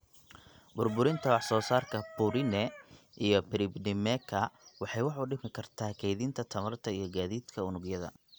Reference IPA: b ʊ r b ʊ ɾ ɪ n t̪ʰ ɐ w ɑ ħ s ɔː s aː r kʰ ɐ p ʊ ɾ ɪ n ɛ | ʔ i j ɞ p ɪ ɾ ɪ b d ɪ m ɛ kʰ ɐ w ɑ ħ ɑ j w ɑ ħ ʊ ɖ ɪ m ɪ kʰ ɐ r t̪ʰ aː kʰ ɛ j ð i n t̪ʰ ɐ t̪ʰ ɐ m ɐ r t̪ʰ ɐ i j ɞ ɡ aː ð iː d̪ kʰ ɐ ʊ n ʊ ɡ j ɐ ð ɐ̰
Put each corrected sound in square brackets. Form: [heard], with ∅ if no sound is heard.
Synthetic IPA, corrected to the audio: b ʊ r b ʊ ɾ ɪ n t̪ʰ ɐ w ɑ ħ s ɔː s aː r kʰ ɐ p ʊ ɾ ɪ n ɛ | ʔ i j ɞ p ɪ ɾ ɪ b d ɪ m ɛ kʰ ɐ w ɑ ħ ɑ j w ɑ ħ ʊ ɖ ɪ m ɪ kʰ ɐ r t̪ʰ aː kʰ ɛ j ð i n t̪ʰ ɐ t̪ʰ ɐ m ɐ r t̪ʰ ɐ i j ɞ ɡ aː ð iː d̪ kʰ ɐ ʊ n ʊ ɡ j ɐ ð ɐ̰